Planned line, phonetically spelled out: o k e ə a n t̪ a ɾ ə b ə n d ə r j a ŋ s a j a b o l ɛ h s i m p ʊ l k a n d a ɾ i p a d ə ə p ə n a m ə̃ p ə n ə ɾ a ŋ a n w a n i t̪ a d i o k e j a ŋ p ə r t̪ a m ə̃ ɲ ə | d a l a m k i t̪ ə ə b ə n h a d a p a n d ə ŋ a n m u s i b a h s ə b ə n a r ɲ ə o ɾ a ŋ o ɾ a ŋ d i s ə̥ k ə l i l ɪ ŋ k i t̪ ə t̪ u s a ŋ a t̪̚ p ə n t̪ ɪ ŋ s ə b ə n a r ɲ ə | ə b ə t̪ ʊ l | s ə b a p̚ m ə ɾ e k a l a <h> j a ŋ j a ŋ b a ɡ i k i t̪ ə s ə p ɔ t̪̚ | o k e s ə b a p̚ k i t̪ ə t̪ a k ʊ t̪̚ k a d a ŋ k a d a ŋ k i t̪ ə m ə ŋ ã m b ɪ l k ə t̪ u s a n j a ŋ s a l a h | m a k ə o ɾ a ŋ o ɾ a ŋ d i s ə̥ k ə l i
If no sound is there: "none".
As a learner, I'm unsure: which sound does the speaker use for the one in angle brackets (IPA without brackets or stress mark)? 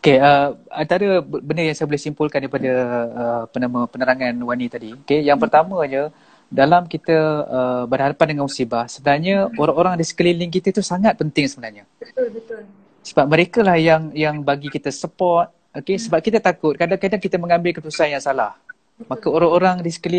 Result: h